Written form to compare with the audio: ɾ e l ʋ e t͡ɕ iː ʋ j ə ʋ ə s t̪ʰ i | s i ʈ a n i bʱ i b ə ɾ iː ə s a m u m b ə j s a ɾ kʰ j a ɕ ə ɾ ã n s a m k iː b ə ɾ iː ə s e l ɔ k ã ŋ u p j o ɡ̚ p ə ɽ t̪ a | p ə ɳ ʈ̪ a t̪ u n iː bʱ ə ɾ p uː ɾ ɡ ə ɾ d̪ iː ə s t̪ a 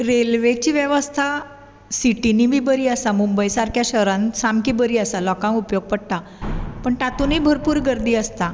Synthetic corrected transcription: ɾ e l ʋ e t͡ɕ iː ʋ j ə ʋ ə s t̪ʰ a | s i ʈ i n i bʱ i b ə ɾ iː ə s a m u m b ə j s a ɾ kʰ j a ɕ ə ɾ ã n s a m k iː b ə ɾ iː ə s a l ɔ k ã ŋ u p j o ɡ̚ p ə ɽ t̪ a | p ə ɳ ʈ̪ a t̪ u n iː bʱ ə ɾ p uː ɾ ɡ ə ɾ d̪ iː ə s t̪ a